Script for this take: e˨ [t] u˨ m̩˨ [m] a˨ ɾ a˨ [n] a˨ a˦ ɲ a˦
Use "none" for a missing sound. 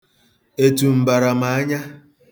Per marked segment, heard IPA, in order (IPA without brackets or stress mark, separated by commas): t, b, m